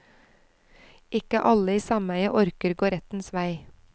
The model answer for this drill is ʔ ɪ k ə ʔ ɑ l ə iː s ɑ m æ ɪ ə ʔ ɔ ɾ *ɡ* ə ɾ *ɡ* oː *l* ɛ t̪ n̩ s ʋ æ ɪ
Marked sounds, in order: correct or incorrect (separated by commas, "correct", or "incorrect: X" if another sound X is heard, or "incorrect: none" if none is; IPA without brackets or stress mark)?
incorrect: k, correct, incorrect: ɾ